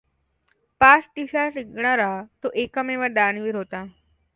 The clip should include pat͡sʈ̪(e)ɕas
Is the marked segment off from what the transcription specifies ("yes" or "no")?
yes